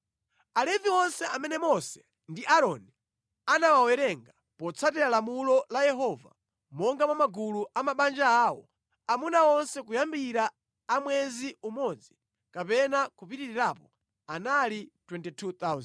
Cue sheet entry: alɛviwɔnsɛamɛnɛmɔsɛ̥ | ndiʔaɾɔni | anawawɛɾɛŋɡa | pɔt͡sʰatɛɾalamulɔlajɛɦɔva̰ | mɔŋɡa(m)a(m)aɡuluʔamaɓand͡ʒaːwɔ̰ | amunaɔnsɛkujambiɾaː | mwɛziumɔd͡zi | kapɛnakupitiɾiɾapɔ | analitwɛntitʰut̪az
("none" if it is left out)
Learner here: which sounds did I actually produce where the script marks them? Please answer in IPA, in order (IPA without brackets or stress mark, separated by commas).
m, m